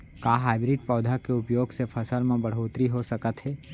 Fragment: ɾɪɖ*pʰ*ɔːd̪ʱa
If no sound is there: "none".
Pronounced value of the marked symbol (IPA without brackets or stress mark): p